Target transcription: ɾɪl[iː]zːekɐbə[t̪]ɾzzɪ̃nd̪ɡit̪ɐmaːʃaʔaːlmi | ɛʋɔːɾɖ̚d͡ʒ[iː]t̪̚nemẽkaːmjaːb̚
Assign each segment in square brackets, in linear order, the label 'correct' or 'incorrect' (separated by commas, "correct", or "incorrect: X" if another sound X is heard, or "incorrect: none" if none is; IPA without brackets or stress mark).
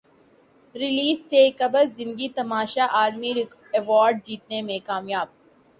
correct, incorrect: none, correct